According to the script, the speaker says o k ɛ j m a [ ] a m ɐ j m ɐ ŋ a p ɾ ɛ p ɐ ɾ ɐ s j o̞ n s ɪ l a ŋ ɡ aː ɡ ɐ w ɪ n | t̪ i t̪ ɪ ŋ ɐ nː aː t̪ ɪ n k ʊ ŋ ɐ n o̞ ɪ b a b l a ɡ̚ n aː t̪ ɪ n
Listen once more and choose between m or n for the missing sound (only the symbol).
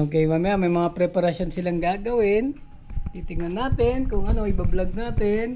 m